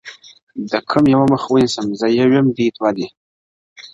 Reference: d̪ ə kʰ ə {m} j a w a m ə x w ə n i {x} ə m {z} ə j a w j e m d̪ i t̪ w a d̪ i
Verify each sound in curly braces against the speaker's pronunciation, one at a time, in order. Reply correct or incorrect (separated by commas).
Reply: correct, incorrect, correct